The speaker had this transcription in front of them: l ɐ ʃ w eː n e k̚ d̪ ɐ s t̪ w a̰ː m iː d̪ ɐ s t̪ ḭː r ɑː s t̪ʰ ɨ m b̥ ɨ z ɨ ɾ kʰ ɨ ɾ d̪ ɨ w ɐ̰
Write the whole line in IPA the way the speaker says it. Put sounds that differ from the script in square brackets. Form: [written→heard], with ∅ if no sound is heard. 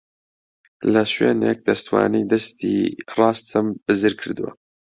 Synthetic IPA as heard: l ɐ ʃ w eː n e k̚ d̪ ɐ s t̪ w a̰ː [m→n] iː d̪ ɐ s t̪ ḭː r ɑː s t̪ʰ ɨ m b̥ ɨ z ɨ ɾ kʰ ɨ ɾ d̪ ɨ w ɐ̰